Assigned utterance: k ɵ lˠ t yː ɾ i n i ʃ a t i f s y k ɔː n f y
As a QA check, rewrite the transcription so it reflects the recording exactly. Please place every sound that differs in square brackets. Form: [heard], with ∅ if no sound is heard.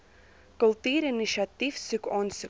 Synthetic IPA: k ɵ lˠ t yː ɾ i n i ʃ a t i f s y k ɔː n [s] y